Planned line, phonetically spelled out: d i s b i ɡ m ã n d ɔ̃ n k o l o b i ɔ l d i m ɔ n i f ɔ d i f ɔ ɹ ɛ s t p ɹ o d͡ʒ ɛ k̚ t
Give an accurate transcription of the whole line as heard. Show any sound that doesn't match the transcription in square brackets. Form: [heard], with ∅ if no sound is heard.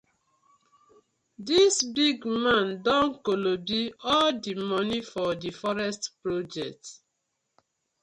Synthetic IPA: d i s b i ɡ m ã n d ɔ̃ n k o l o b i ɔ l d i m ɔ n i f ɔ d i f ɔ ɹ ɛ s t p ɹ o d͡ʒ ɛ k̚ t